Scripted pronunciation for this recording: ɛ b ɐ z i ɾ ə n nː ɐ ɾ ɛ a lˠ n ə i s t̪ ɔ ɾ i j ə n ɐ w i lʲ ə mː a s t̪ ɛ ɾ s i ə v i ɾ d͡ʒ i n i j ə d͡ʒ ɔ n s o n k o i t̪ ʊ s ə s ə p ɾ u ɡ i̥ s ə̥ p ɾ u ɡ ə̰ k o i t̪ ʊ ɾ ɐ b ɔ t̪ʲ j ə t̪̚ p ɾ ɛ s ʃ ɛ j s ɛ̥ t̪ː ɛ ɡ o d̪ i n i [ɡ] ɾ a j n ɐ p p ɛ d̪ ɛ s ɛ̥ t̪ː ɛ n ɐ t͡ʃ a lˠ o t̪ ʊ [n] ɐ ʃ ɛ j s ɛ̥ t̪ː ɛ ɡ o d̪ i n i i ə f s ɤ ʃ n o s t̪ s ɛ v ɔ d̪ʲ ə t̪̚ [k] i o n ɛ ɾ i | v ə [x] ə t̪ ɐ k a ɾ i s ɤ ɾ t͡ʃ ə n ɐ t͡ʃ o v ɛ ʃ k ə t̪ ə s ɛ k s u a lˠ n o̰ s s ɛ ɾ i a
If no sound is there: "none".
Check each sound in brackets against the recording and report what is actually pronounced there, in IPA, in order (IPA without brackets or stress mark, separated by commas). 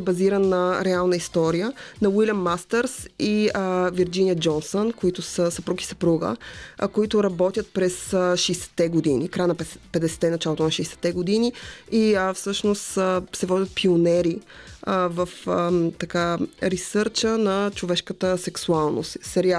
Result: k, n, p, f